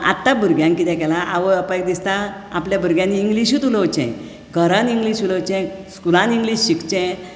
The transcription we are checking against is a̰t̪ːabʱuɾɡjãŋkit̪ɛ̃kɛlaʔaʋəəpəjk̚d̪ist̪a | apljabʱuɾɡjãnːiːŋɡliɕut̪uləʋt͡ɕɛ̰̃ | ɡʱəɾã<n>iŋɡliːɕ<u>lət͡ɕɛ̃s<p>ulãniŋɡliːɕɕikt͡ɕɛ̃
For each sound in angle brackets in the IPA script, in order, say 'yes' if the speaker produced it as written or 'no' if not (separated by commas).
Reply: yes, yes, no